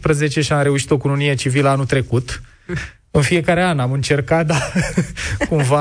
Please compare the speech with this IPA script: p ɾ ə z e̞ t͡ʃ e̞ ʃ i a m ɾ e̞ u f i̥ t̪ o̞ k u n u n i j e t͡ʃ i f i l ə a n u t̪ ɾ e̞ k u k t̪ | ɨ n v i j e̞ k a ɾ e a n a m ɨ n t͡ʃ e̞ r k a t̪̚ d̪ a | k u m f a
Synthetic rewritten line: p ɾ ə z e̞ t͡ʃ e̞ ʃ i a m ɾ e̞ u ʃ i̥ t̪ o̞ k u n u n i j e t͡ʃ i v i l ə a n u t̪ ɾ e̞ k u t̪ | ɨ n f i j e̞ k a ɾ e a n a m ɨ n t͡ʃ e̞ r k a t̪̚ d̪ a | k u m v a